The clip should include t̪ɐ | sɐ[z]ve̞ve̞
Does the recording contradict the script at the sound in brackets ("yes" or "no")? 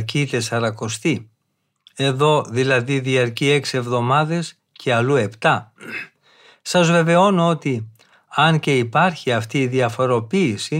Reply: no